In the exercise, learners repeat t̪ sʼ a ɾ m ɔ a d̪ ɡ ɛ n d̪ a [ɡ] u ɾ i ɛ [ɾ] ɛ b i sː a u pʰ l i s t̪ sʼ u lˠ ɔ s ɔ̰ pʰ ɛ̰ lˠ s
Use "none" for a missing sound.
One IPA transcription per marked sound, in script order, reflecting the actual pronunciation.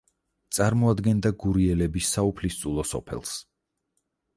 ɡ, l

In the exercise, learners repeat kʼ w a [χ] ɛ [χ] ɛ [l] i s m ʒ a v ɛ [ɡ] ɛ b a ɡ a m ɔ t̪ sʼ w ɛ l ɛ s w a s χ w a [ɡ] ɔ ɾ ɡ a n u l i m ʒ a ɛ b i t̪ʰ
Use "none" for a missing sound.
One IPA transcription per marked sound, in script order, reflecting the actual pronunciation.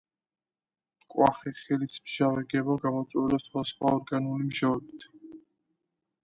χ, χ, l, ɡ, none

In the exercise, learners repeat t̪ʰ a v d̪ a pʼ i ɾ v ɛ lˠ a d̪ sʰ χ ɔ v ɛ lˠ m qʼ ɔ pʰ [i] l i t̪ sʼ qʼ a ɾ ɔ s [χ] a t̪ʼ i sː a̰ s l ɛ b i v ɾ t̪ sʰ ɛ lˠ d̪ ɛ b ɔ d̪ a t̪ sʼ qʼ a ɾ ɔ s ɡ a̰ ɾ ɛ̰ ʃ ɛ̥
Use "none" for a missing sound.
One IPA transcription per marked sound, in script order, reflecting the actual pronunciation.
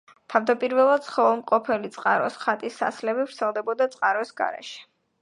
ɛ, χ

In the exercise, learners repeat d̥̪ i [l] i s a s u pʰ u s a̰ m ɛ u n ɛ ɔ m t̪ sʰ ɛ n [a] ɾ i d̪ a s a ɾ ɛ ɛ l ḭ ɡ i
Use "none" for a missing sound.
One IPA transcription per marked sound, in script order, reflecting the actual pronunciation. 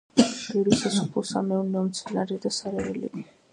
ɾ, a

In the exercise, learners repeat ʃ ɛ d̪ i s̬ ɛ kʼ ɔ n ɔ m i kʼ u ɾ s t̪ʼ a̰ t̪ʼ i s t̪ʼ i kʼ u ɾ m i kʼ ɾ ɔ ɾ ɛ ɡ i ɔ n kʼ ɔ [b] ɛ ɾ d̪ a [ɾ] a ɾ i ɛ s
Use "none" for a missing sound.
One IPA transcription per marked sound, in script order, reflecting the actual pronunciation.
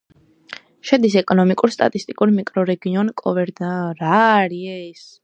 v, ɾ

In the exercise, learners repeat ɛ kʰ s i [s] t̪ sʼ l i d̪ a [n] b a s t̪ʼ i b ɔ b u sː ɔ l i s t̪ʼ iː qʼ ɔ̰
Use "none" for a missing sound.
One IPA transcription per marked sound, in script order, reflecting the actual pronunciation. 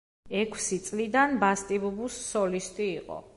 none, n

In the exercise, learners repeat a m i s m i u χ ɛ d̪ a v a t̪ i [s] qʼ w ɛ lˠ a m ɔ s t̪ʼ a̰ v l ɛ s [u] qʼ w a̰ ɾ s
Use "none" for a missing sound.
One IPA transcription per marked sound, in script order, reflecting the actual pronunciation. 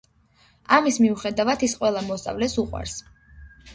s, u

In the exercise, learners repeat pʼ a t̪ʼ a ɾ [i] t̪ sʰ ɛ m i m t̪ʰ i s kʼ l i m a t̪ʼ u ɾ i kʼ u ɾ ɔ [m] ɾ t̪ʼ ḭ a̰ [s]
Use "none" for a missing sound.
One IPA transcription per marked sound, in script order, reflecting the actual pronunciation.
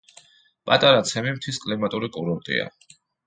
a, none, none

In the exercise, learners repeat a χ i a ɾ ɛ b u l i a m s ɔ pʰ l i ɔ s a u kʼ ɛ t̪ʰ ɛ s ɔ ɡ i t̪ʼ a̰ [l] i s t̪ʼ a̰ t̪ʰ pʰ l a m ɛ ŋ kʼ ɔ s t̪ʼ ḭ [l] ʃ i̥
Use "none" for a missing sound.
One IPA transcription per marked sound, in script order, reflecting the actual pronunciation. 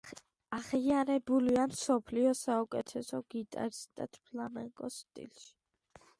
ɾ, l

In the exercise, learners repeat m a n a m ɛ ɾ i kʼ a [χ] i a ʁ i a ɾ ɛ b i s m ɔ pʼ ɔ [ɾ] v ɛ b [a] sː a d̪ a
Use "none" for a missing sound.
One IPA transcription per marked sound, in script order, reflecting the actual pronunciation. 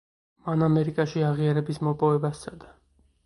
ʃ, none, a

